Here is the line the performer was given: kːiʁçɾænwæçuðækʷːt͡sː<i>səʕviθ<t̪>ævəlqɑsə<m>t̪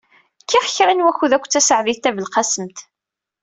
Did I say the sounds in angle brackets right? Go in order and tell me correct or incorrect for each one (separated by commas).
incorrect, correct, correct